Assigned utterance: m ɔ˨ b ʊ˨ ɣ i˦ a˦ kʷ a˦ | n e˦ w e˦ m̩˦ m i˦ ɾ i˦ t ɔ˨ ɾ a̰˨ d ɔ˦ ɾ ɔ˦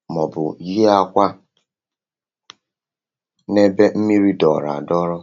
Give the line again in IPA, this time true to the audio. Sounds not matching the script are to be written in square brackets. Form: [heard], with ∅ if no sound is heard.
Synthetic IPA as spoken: m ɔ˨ b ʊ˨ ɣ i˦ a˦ kʷ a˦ | n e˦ [b] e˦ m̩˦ m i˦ ɾ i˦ [d] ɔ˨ ɾ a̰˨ d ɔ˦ ɾ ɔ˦